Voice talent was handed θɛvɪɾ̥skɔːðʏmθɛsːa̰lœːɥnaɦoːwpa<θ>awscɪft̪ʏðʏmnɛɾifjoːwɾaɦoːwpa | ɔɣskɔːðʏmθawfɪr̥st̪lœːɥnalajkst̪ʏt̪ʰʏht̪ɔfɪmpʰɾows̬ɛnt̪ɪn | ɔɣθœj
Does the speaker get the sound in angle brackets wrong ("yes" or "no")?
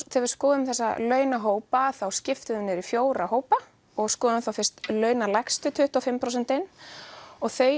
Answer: no